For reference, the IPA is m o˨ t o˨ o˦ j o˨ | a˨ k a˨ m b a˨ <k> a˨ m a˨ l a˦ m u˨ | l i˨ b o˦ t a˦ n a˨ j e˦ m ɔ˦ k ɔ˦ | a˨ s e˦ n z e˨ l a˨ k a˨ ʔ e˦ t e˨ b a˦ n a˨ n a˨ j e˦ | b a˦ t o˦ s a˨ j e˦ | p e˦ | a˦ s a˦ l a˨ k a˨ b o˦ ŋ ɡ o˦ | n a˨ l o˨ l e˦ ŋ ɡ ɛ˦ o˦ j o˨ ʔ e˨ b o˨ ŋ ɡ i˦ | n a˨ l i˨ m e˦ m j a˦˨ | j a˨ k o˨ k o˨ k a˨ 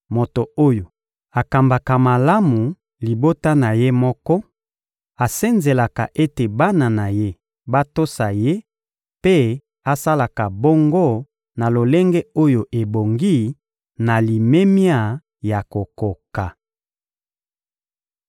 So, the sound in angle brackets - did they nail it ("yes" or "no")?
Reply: yes